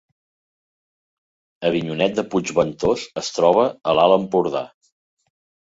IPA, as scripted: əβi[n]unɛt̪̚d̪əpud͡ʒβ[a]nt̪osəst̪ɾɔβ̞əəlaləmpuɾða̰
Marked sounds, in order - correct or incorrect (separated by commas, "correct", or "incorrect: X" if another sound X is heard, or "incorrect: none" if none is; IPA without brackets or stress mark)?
incorrect: ɲ, incorrect: ə